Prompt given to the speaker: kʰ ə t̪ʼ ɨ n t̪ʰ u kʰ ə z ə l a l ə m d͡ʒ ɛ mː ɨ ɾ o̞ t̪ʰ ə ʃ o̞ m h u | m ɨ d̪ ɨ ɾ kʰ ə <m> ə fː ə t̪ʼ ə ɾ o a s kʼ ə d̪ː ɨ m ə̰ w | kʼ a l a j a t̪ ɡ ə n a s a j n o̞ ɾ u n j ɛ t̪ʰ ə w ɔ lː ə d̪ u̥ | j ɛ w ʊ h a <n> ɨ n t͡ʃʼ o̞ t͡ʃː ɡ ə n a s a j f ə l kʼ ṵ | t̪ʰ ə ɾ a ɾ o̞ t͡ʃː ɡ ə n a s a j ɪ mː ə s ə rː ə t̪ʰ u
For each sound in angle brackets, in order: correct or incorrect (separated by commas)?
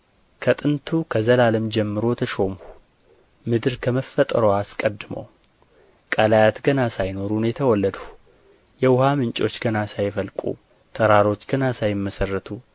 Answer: correct, incorrect